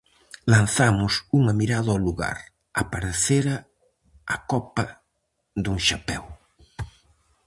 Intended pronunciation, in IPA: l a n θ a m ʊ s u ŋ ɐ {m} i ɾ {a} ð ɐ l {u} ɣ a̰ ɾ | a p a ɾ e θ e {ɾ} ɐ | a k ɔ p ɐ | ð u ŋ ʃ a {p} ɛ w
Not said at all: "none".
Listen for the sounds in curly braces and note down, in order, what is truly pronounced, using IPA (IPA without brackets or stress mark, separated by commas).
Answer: m, a, u, ɾ, p